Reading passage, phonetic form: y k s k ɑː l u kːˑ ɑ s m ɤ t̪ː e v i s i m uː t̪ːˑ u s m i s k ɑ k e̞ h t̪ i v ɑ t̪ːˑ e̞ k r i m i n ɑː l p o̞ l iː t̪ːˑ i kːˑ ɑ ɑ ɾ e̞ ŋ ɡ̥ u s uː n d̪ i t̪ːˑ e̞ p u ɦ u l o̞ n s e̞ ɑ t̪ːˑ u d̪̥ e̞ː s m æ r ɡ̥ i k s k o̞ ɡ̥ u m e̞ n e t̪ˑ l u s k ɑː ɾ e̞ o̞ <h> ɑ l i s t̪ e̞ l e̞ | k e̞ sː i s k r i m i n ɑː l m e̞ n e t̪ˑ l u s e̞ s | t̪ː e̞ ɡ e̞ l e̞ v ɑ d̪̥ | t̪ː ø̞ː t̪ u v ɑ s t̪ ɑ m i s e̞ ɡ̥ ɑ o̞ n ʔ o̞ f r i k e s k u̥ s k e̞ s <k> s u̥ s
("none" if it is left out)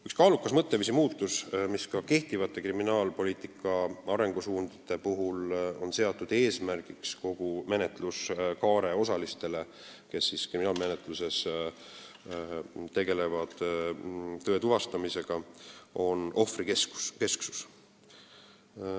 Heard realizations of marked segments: s, k

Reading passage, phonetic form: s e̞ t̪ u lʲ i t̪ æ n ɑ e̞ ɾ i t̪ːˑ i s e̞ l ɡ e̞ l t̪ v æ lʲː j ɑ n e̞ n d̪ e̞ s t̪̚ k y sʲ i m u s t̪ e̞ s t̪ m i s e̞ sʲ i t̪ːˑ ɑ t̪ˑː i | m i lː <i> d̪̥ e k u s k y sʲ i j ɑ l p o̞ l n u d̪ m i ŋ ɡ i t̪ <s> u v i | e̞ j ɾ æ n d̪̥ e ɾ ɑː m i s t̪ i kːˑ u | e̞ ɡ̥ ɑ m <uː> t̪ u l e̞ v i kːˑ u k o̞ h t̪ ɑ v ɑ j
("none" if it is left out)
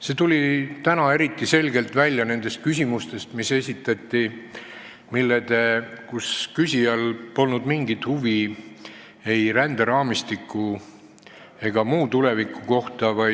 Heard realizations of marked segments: e, h, uː

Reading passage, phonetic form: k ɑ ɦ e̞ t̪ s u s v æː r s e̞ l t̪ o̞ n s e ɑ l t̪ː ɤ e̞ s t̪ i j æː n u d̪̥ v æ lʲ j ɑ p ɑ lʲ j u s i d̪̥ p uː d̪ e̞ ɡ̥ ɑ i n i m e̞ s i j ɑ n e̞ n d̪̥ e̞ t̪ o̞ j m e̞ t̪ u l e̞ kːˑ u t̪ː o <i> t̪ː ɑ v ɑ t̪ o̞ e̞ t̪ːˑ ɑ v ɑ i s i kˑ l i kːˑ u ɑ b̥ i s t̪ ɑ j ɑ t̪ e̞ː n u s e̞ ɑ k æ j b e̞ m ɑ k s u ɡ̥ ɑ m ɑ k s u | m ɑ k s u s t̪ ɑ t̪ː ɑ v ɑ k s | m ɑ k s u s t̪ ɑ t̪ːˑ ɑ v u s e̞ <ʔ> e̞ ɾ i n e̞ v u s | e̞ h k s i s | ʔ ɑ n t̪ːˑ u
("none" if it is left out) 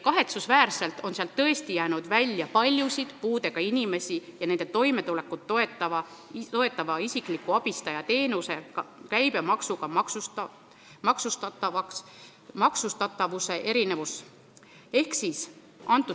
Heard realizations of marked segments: e, ʔ

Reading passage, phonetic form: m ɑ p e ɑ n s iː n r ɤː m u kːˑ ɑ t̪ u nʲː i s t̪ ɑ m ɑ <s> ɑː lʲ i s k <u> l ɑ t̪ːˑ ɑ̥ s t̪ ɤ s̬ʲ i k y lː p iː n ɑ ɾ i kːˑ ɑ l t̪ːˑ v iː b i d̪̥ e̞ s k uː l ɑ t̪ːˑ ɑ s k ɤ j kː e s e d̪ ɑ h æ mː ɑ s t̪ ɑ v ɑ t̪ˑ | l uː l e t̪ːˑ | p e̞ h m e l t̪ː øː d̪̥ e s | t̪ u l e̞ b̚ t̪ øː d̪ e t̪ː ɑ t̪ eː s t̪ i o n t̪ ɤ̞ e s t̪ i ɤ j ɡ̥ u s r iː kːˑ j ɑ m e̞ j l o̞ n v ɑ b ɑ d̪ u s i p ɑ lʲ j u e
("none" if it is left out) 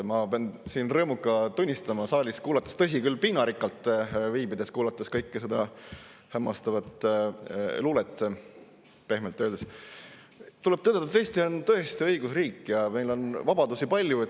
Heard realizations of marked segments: s, uː

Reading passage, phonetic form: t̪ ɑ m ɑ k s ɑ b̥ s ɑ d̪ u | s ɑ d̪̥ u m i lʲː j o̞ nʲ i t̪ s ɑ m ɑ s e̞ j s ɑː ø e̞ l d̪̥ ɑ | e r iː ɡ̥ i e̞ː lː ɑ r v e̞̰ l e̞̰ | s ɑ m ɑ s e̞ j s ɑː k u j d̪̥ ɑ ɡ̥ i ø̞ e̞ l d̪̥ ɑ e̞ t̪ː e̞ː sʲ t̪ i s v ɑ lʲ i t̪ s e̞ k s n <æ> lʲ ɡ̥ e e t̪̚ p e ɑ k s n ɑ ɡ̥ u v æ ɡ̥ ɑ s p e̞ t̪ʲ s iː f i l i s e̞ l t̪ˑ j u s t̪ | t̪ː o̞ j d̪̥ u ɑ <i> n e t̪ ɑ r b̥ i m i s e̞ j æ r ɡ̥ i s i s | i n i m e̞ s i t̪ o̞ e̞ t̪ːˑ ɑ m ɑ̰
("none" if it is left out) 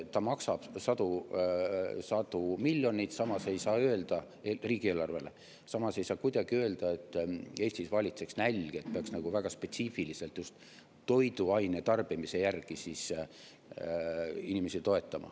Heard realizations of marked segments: æ, j

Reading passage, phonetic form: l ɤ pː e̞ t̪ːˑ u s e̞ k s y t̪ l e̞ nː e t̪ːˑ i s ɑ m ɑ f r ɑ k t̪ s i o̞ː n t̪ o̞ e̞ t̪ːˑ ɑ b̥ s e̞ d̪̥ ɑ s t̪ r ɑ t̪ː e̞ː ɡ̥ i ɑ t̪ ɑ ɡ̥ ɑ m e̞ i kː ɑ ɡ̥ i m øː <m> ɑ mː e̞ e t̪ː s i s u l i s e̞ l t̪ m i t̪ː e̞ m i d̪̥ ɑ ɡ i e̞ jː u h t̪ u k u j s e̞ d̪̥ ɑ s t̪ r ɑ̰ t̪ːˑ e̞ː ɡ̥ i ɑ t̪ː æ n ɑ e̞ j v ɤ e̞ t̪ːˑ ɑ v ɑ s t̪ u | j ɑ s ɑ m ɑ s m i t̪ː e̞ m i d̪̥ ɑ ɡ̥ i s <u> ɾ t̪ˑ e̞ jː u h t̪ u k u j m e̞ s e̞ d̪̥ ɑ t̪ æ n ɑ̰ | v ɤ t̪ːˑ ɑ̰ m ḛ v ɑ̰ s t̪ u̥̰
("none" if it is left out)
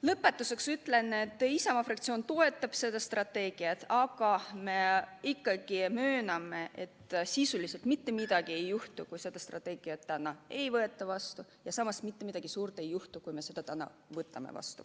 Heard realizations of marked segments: n, uː

